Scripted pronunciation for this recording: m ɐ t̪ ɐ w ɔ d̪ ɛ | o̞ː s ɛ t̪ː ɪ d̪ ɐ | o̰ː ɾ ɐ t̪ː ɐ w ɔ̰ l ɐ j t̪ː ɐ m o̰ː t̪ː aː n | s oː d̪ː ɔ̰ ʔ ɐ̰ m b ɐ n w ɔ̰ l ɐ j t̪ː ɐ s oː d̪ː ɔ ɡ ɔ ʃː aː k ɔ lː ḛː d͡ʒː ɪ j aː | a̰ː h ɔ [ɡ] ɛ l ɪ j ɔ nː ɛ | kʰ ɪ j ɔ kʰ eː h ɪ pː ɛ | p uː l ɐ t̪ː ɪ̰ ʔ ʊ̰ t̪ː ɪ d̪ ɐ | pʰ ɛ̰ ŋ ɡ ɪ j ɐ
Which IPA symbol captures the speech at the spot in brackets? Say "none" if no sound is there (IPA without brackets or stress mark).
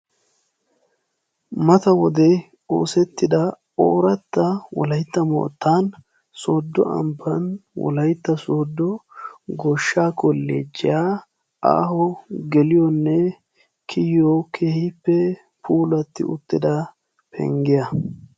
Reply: ɡ